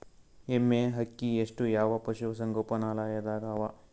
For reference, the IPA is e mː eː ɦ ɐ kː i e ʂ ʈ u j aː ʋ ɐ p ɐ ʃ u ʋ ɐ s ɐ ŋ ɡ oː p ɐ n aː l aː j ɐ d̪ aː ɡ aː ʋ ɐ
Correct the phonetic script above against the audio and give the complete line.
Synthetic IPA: e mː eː ɦ ɐ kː i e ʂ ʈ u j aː ʋ ɐ p ɐ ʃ u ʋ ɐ s ɐ ŋ ɡ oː p ɐ n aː l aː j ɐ d̪ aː ɡ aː ʋ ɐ